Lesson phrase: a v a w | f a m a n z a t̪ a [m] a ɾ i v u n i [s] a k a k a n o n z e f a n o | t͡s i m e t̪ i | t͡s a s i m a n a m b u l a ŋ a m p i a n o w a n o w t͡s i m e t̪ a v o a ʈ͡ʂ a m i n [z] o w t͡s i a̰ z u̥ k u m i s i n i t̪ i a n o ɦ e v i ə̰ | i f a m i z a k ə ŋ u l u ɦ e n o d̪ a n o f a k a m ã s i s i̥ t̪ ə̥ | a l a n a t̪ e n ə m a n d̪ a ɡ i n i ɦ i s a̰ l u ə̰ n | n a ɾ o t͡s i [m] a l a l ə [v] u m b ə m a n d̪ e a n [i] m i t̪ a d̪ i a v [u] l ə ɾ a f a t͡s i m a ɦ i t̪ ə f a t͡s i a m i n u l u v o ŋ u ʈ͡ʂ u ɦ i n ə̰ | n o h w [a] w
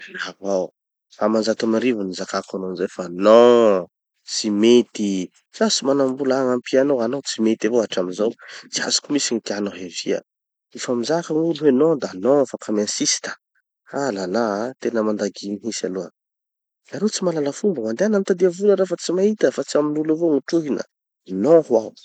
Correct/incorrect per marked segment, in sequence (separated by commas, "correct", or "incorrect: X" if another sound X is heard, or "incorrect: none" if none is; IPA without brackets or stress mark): correct, incorrect: z, correct, correct, incorrect: f, incorrect: a, correct, correct